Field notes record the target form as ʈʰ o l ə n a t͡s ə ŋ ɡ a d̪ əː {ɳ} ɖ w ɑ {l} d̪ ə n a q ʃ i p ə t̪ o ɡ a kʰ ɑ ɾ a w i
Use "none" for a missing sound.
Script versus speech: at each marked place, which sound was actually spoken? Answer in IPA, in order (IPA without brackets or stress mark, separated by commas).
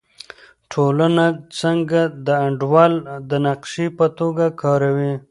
ɳ, l